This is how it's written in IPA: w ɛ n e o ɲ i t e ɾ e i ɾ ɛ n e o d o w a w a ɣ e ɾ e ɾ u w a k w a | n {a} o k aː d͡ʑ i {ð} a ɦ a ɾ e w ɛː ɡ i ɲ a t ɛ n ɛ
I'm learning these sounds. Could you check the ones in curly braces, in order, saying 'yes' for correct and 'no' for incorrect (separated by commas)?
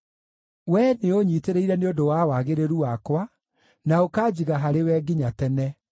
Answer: yes, no